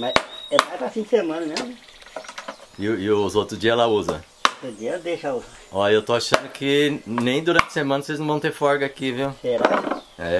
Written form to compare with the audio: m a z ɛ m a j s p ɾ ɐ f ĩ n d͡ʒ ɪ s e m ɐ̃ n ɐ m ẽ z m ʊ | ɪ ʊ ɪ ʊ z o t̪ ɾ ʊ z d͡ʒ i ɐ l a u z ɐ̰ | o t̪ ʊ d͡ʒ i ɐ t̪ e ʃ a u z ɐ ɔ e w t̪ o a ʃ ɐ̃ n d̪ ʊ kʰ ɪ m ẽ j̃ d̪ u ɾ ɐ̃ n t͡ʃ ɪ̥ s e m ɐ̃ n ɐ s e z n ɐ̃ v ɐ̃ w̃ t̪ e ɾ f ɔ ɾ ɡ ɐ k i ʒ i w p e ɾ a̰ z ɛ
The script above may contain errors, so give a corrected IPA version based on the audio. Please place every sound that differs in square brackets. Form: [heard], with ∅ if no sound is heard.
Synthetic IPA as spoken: m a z ɛ m a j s p ɾ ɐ f ĩ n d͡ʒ ɪ s e m ɐ̃ n ɐ m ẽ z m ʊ | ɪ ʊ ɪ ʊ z o t̪ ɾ ʊ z d͡ʒ i ɐ l a u z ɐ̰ | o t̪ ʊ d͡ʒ i ɐ [d̪] e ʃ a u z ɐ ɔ e w t̪ o a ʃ ɐ̃ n d̪ ʊ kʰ ɪ [n] ẽ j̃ d̪ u ɾ ɐ̃ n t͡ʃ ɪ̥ s e m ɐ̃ n ɐ s e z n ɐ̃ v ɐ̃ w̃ t̪ e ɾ f ɔ ɾ ɡ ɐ k i [v] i w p e ɾ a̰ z ɛ